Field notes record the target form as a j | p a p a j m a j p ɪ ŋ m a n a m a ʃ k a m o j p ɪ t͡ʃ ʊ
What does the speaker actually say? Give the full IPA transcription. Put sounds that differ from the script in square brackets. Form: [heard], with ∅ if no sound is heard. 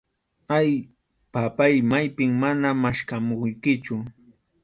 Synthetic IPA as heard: a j | p a p a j m a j p ɪ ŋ m a n a m a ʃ k a m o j [k] ɪ t͡ʃ ʊ